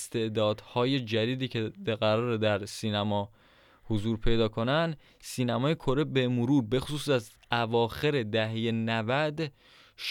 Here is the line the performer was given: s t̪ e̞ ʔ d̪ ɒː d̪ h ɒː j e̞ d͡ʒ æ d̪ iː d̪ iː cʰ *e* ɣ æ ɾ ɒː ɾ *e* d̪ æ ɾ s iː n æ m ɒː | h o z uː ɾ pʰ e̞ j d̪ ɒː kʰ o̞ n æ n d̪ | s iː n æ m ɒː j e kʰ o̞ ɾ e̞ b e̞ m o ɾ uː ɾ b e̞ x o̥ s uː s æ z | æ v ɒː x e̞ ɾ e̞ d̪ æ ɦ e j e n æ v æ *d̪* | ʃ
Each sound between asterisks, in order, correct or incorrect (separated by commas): correct, correct, correct